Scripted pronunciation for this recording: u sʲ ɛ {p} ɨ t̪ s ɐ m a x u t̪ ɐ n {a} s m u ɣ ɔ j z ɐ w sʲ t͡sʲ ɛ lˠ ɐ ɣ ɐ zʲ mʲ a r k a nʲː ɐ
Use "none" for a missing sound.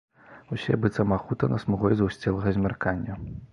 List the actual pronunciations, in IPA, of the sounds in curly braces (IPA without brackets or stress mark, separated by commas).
b, ɐ